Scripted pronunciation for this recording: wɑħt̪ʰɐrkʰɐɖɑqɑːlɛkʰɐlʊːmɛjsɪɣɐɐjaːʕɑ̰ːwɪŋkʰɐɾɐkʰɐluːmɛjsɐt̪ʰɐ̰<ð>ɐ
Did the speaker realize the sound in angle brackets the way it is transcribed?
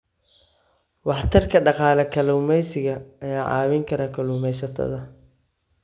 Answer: yes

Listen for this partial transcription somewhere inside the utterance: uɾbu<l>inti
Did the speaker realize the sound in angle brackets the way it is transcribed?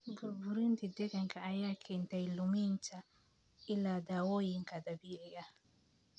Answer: no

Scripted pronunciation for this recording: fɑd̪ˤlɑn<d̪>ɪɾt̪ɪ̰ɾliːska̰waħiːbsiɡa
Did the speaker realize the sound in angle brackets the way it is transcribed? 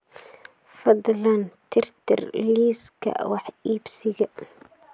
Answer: no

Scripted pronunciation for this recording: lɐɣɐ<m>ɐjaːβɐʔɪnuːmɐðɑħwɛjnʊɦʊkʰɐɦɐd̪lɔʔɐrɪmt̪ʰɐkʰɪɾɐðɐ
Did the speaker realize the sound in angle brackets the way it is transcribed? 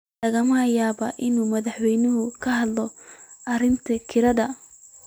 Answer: yes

